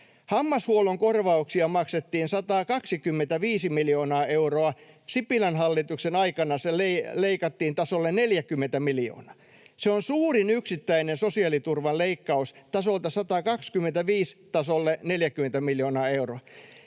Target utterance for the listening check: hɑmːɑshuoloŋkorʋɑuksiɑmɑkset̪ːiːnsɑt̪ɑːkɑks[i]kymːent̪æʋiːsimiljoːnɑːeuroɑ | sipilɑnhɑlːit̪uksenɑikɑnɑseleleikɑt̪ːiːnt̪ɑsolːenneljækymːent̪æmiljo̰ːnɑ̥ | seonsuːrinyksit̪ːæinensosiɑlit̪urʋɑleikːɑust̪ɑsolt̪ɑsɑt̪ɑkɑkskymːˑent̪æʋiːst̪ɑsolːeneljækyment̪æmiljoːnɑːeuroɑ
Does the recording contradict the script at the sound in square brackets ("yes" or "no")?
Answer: no